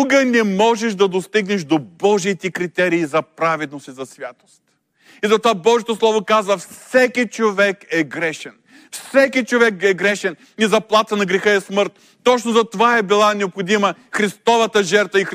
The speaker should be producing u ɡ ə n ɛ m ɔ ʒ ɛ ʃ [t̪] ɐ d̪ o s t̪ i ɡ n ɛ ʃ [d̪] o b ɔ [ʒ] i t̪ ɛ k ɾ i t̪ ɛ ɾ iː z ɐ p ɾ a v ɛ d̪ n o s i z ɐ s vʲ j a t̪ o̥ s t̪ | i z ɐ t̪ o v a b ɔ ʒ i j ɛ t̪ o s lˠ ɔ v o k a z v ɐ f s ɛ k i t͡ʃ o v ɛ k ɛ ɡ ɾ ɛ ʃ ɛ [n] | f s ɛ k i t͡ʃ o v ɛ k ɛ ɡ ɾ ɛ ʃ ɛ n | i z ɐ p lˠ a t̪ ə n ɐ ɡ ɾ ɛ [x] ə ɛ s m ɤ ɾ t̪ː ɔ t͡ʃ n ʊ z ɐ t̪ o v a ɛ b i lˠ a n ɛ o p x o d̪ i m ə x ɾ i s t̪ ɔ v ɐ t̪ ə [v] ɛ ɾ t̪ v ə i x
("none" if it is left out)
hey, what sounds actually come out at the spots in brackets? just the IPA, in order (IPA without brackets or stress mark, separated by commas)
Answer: d̪, d̪, ʒ, n, x, ʒ